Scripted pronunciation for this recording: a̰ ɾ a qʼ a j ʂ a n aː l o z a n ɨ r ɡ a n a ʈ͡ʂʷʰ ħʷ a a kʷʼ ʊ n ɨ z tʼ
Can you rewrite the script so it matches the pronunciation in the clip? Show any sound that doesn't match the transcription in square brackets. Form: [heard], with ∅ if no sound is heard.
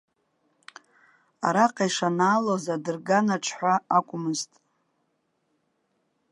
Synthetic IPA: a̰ ɾ a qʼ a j ʂ a n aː l o z a [d] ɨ r ɡ a n a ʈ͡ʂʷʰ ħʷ a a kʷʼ ʊ [m] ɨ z tʼ